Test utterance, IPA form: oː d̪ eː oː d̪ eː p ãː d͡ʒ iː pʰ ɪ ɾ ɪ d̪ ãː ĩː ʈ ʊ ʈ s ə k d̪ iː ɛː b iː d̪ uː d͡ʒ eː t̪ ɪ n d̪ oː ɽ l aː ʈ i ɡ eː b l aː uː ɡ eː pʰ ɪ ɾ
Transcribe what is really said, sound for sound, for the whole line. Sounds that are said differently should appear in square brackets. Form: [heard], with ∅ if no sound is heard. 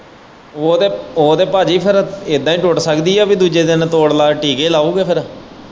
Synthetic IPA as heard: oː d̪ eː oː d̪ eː p [aː] d͡ʒ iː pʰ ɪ ɾ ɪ d̪ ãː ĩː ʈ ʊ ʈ s ə k d̪ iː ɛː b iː d̪ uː d͡ʒ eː [d̪] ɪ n [t̪] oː ɽ l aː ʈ [iː] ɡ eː [∅] l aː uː ɡ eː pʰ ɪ ɾ